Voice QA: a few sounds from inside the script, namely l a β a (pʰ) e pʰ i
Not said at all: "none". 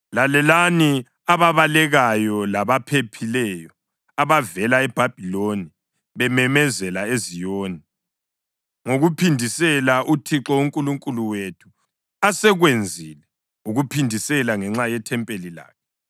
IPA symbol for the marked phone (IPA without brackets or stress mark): pʰ